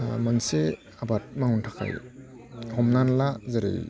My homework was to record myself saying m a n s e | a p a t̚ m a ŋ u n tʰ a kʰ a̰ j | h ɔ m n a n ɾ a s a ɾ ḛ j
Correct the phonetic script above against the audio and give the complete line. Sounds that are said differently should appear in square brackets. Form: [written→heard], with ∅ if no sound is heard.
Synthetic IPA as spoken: m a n s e | a [p→b] a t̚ m a ŋ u n tʰ a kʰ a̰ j | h ɔ m n a n [ɾ→l] a [s→z] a ɾ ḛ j